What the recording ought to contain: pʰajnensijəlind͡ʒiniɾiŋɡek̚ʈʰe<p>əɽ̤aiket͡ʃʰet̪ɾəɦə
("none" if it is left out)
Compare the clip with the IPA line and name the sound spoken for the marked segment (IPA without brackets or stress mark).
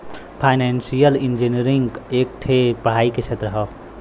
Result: p